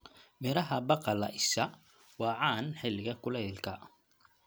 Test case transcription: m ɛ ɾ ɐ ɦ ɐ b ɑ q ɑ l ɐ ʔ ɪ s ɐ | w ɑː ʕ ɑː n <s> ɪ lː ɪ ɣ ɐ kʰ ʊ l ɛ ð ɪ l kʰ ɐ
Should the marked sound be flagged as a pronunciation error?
yes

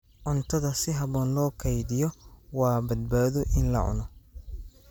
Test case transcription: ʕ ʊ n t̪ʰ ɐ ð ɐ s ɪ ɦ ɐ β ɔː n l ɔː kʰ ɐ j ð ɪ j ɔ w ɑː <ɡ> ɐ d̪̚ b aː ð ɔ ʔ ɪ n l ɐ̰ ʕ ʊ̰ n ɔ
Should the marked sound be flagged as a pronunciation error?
yes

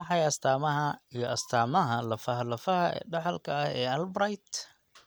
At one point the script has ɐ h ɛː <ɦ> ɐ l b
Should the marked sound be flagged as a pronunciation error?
yes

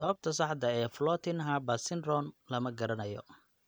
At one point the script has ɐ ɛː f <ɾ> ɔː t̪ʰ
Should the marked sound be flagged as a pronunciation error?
yes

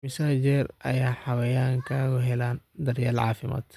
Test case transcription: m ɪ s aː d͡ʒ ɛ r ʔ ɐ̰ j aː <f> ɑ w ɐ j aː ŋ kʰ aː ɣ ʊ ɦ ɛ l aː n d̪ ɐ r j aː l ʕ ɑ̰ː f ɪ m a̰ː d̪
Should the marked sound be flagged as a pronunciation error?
yes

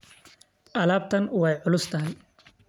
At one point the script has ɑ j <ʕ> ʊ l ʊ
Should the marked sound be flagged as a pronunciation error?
no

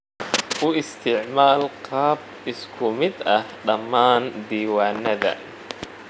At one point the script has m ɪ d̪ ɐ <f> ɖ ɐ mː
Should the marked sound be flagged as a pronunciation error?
yes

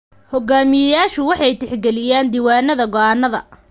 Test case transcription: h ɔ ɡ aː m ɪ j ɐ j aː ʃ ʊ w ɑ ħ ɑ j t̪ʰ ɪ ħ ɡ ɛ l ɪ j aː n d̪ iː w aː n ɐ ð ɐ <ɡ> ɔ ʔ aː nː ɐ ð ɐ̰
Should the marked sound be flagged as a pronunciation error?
no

